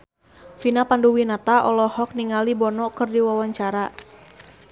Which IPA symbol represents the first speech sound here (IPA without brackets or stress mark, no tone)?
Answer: f